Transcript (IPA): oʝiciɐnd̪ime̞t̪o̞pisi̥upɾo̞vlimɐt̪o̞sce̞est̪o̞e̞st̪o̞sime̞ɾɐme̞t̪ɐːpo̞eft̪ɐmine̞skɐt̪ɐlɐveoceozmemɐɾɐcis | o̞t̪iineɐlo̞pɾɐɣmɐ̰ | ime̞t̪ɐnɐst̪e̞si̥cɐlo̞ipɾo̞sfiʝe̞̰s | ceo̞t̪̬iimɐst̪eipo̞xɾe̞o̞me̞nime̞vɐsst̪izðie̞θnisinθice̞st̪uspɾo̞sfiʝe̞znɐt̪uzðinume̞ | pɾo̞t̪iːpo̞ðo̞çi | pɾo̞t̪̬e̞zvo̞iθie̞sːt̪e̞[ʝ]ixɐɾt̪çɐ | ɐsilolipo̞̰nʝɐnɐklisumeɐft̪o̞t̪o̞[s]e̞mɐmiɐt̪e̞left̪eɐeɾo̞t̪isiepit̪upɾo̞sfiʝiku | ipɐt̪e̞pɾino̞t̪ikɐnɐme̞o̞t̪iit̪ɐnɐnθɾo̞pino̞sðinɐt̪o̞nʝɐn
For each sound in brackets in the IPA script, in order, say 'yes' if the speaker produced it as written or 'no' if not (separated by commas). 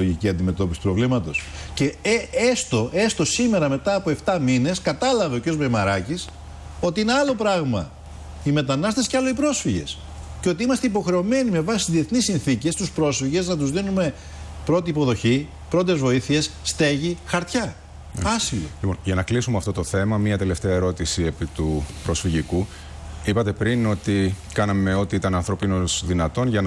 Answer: yes, no